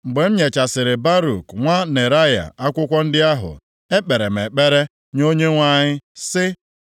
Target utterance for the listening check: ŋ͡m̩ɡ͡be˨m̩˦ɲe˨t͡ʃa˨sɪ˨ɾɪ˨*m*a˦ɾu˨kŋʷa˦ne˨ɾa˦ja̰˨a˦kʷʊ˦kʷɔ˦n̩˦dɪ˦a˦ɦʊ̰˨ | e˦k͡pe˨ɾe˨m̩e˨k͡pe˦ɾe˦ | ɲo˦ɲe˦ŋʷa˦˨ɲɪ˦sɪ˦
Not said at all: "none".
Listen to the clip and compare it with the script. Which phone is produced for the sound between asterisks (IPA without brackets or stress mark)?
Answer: b